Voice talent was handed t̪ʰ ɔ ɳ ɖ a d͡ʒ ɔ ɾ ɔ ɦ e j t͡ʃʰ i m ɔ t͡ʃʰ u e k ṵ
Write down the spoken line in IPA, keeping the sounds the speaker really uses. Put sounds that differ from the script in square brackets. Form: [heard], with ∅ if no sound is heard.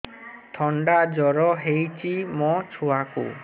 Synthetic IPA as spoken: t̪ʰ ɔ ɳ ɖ a d͡ʒ ɔ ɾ ɔ ɦ e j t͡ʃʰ i m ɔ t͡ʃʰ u [a] k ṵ